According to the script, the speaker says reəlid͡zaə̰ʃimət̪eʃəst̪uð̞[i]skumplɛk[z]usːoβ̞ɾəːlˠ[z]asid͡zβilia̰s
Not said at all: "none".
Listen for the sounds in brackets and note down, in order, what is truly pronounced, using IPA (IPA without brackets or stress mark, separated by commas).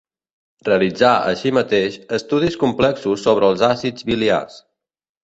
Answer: i, s, z